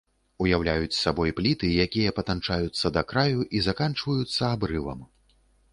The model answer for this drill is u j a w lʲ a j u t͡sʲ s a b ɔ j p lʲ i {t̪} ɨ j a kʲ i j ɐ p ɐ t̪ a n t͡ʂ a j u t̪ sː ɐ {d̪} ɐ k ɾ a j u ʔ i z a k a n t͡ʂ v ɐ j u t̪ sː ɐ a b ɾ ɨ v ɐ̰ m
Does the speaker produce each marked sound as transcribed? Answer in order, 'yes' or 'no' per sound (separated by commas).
yes, yes